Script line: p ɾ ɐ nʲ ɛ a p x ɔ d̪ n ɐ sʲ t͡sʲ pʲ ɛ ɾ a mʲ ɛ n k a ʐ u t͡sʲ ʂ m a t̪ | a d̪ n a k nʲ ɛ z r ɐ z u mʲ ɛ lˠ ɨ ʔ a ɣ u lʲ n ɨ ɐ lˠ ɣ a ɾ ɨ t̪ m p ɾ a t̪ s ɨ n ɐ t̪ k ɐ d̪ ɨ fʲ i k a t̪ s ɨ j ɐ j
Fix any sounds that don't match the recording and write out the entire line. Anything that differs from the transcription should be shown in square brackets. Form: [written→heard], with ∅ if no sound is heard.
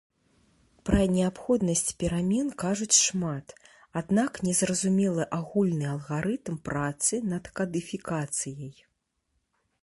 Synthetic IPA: p ɾ ɐ nʲ ɛ a p x ɔ d̪ n ɐ sʲ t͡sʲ pʲ ɛ ɾ a mʲ ɛ n k a ʐ u t͡sʲ ʂ m a t̪ | a d̪ n a k nʲ ɛ z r ɐ z u mʲ ɛ lˠ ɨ ʔ a ɣ u lʲ n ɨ ɐ lˠ ɣ a ɾ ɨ t̪ m p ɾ a t̪ s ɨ n ɐ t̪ k ɐ d̪ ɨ fʲ i k a t̪ s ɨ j ɐ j